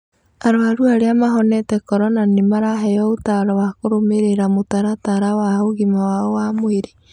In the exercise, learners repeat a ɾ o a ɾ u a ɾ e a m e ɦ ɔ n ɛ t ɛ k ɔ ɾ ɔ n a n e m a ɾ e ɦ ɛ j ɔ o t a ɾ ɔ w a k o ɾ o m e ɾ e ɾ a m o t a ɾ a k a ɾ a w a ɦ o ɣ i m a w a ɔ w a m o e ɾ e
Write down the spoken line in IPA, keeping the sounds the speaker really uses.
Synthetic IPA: a ɾ o a ɾ u a ɾ e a m a ɦ ɔ n ɛ t ɛ k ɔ ɾ ɔ n a n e m a ɾ a ɦ ɛ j ɔ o t a ɾ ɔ w a k o ɾ o m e ɾ e ɾ a m o t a ɾ a t a ɾ a w a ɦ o ɣ i m a w a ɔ w a m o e ɾ e